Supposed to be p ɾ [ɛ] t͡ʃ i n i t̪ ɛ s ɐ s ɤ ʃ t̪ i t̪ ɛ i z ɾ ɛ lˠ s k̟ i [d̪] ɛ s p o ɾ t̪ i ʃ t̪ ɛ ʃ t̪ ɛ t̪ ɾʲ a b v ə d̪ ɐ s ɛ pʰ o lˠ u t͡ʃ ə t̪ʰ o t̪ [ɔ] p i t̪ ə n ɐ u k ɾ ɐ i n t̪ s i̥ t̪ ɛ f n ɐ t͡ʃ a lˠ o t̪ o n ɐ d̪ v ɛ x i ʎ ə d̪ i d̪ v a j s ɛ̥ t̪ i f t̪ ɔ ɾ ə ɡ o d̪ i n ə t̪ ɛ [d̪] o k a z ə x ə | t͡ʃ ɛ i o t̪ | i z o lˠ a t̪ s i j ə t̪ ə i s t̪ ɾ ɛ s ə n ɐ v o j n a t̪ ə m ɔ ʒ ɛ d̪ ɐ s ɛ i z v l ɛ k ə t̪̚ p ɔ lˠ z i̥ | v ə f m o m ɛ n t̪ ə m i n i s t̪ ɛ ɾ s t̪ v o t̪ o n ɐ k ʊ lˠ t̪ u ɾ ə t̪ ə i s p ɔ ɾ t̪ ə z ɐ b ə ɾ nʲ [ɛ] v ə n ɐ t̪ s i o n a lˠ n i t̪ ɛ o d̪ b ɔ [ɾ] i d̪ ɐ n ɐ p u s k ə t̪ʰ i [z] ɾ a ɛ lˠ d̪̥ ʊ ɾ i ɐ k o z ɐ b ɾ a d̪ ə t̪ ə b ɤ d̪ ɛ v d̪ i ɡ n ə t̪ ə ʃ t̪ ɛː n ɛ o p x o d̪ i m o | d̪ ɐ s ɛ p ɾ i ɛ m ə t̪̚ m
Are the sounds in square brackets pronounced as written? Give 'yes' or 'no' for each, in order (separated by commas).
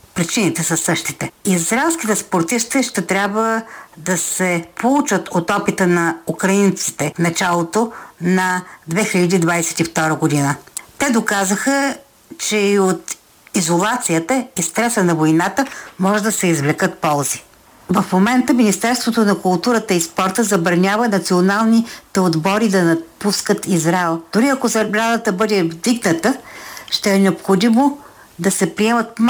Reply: no, no, yes, yes, no, yes, yes